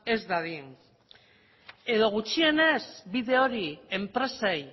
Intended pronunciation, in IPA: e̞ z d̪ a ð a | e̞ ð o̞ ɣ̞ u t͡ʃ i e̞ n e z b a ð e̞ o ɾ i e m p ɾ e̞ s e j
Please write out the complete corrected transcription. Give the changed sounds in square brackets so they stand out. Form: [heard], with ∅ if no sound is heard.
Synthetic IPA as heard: e̞ z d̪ a ð [i] | e̞ ð o̞ ɣ̞ u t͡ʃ i e̞ n e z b [i] ð e̞ o ɾ i e m p ɾ e̞ s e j